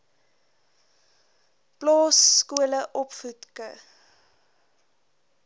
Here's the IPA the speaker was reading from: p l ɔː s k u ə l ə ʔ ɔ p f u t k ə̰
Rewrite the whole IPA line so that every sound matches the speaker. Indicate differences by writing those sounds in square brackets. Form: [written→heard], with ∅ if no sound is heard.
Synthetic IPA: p l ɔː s k u ə l ə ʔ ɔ p f u t k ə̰